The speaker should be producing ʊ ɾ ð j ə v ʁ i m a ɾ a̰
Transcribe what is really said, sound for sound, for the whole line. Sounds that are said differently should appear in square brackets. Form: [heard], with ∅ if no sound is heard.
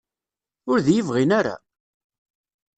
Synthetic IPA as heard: ʊ ɾ ð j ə v ʁ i [n] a ɾ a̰